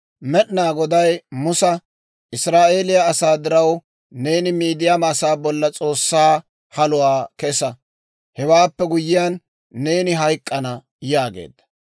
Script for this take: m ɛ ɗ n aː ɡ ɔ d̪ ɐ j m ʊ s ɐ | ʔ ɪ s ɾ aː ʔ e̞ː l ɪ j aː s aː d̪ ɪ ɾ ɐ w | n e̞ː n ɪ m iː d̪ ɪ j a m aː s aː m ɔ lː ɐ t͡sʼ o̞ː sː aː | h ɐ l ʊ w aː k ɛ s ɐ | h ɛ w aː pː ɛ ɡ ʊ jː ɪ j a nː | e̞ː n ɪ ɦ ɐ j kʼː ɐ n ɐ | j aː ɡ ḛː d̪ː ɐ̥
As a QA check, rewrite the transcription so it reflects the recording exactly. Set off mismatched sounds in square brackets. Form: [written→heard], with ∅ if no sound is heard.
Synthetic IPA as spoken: m ɛ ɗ n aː ɡ ɔ d̪ ɐ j m ʊ s ɐ | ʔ ɪ s ɾ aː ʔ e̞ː l ɪ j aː s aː d̪ ɪ ɾ ɐ w | n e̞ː n ɪ m iː d̪ ɪ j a m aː s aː [m→b] ɔ lː ɐ t͡sʼ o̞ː sː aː | h ɐ l ʊ w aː k ɛ s ɐ | h ɛ w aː pː ɛ ɡ ʊ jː ɪ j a nː | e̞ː n ɪ ɦ ɐ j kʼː ɐ n ɐ | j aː ɡ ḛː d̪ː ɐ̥